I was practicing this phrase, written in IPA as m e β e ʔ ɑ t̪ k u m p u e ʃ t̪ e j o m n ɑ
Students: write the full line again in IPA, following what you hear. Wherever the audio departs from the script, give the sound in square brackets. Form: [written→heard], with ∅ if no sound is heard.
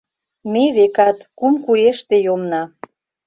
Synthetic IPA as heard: m e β e [ʔ→k] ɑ t̪ k u m [p→k] u e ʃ t̪ e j o m n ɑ